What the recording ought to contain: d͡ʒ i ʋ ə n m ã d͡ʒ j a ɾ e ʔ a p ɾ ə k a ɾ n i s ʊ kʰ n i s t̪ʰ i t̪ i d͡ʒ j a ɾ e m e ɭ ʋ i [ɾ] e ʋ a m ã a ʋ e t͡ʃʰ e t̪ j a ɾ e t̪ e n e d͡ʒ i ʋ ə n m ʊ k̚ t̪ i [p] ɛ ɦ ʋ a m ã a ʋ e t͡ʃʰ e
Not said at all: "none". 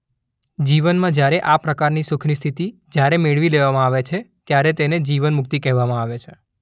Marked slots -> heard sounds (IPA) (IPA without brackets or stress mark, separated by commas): l, k